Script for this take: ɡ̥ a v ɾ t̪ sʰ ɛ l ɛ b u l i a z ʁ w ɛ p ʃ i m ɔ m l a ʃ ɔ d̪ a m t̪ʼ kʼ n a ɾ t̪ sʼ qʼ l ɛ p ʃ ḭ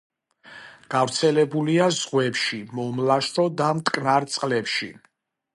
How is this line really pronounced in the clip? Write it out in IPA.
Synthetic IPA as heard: ɡ̥ a v ɾ t̪ sʰ ɛ l ɛ b u l i a z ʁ w ɛ p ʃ i m ɔ m l a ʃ ɔ d̪ a m t̪ʼ kʼ n a ɾ t̪ sʼ qʼ l ɛ p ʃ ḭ

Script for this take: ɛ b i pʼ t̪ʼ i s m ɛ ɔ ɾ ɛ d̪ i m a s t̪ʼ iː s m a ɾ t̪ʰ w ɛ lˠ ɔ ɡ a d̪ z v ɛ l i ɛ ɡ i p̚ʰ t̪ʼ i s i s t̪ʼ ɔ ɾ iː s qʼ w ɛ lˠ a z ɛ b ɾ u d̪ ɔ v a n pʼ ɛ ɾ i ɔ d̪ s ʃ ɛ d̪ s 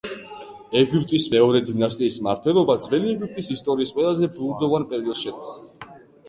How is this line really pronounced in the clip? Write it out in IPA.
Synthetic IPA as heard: ɛ ɡ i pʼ t̪ʼ i s m ɛ ɔ ɾ ɛ d̪ i n a s t̪ʼ iː s m a ɾ t̪ʰ w ɛ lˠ ɔ b a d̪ z v ɛ l i ɛ ɡ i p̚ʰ t̪ʼ i s i s t̪ʼ ɔ ɾ iː s qʼ w ɛ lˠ a z ɛ b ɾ u d̪ ɔ v a n pʼ ɛ ɾ i ɔ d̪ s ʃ ɛ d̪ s

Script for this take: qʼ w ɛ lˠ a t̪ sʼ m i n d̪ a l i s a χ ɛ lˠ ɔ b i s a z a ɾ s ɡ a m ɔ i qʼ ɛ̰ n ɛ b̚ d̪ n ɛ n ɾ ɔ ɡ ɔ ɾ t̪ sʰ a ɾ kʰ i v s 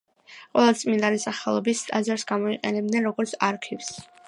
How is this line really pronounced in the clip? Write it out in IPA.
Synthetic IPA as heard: qʼ w ɛ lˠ a t̪ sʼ m i n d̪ a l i s a χ ɛ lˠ ɔ b i s a z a ɾ s ɡ a m ɔ i qʼ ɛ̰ n ɛ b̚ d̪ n ɛ n ɾ ɔ ɡ ɔ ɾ t̪ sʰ a ɾ kʰ i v s

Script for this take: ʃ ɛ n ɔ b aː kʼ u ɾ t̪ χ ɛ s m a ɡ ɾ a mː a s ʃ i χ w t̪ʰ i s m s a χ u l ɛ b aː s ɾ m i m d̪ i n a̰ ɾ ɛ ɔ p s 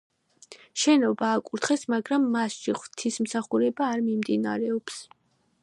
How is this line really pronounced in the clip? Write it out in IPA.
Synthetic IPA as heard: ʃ ɛ n ɔ b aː kʼ u ɾ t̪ χ ɛ s m a ɡ ɾ a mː a s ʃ i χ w t̪ʰ i s m s a χ u ɾ ɛ b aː ɾ m i m d̪ i n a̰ ɾ ɛ ɔ p s

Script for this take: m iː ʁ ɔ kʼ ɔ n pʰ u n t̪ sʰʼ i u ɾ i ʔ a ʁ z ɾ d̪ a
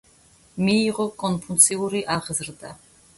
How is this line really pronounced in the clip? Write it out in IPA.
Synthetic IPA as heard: m iː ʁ ɔ kʼ ɔ n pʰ u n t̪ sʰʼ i u ɾ i ʔ a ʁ z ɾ d̪ a

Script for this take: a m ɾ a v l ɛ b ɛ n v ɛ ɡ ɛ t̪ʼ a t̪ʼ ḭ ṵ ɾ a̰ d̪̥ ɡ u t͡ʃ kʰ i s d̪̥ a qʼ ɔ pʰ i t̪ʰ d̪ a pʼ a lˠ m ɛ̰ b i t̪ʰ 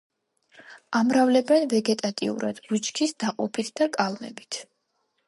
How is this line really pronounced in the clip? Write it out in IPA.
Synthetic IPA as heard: a m ɾ a v l ɛ b ɛ n v ɛ ɡ ɛ t̪ʼ a t̪ʼ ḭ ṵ ɾ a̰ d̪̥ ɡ u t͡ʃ kʰ i s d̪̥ a qʼ ɔ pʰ i t̪ʰ d̪ a kʼ a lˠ m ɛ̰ b i t̪ʰ

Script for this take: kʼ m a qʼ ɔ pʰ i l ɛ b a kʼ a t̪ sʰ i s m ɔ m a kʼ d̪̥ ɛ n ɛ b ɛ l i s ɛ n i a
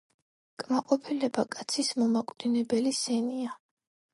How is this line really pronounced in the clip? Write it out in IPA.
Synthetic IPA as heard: kʼ m a qʼ ɔ pʰ i l ɛ b a kʼ a t̪ sʰ i s m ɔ m a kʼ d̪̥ i n ɛ b ɛ l i s ɛ n i a

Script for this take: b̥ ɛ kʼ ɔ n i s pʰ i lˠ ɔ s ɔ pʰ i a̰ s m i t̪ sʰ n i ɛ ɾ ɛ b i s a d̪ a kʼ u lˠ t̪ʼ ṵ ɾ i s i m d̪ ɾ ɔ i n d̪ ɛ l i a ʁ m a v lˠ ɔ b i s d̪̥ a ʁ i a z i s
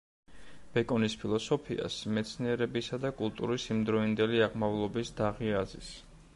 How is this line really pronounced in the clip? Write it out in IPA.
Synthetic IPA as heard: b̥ ɛ kʼ ɔ n i s pʰ i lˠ ɔ s ɔ pʰ i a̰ s m ɛ t̪ sʰ n i ɛ ɾ ɛ b i s a d̪ a kʼ u lˠ t̪ʼ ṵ ɾ i s i m d̪ ɾ ɔ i n d̪ ɛ l i a ʁ m a v lˠ ɔ b i s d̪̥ a ʁ i a z i s

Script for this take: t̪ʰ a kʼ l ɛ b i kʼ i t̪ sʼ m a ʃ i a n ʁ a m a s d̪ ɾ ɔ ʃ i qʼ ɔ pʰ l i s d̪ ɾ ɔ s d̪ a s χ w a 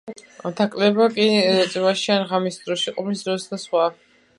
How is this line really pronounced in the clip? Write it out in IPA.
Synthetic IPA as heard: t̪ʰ a kʼ l ɛ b a kʼ i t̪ sʼ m a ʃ i a n ʁ a m i s d̪ ɾ ɔ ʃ i qʼ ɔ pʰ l i s d̪ ɾ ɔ s d̪ a s χ w a

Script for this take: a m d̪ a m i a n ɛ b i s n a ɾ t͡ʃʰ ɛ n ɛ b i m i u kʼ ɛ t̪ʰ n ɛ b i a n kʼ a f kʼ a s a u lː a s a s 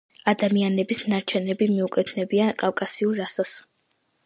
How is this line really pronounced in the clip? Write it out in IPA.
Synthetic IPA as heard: a d̪ a m i a n ɛ b i s n a ɾ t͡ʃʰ ɛ n ɛ b i m i u kʼ ɛ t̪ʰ n ɛ b i a n kʼ a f kʼ a s i u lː a s a s

